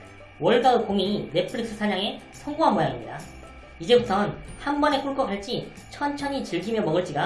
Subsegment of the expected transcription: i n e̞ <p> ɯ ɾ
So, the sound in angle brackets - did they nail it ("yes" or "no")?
no